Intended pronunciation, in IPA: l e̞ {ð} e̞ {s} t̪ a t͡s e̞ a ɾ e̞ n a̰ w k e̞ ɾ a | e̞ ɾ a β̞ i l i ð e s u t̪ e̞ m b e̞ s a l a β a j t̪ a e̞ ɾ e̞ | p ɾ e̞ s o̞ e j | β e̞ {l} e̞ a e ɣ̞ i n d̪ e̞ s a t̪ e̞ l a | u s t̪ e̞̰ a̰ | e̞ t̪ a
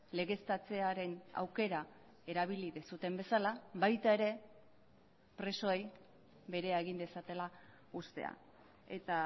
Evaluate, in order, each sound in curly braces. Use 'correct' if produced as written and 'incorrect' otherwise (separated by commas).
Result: incorrect, correct, incorrect